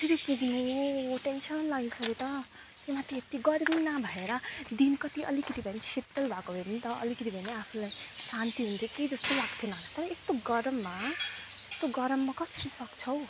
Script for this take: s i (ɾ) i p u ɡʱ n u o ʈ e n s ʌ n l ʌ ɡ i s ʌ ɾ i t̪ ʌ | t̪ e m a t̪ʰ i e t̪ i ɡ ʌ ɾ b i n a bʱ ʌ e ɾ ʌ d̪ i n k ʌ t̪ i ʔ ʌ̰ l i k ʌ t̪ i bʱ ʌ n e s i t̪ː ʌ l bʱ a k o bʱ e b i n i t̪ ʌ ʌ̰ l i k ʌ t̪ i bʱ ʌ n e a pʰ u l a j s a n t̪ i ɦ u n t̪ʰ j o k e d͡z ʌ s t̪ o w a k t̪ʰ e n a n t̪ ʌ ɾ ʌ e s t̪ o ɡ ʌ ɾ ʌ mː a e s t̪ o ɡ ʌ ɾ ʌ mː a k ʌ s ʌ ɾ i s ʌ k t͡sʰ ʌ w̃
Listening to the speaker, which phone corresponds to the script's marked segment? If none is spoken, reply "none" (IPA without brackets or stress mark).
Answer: ɾ